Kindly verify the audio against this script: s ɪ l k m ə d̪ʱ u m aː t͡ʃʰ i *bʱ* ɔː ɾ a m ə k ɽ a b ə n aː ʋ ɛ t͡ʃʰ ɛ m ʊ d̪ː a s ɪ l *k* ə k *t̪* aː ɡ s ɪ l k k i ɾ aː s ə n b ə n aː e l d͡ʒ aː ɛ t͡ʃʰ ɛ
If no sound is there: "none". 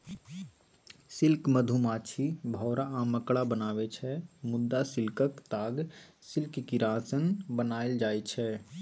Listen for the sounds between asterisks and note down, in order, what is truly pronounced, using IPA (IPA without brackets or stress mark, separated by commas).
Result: bʱ, k, t̪